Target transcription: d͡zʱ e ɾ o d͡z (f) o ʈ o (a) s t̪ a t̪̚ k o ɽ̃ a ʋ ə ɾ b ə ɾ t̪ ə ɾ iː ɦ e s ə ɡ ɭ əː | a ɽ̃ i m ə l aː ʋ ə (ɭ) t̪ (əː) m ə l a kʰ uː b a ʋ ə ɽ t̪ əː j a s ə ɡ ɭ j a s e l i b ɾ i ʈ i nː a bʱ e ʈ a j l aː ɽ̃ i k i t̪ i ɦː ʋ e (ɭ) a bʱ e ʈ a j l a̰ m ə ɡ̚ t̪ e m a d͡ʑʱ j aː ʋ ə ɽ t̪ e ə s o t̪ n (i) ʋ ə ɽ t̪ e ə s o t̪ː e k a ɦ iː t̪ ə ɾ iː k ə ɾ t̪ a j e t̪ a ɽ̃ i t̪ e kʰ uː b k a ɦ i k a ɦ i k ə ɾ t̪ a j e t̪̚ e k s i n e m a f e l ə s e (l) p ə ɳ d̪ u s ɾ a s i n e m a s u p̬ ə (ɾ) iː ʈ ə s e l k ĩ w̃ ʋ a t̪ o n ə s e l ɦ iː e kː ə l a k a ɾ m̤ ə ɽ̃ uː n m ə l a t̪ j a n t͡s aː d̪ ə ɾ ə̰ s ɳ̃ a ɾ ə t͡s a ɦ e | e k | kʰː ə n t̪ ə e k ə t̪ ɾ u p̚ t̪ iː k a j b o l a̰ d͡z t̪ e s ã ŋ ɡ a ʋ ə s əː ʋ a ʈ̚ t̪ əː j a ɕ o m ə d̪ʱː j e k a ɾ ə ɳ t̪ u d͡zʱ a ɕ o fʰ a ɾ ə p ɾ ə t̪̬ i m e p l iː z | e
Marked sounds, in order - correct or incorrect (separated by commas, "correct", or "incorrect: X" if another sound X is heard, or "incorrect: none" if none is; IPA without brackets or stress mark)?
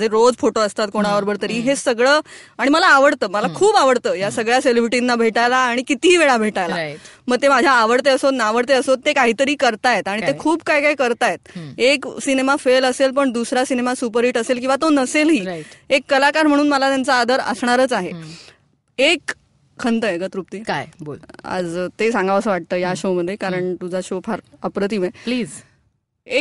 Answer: correct, incorrect: ə, incorrect: ɽ, correct, correct, incorrect: a, correct, correct